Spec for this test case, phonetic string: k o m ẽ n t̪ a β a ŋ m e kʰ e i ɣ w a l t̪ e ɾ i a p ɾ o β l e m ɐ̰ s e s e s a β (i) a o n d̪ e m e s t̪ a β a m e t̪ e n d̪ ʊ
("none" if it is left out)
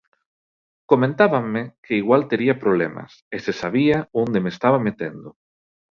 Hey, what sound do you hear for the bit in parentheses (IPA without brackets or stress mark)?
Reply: i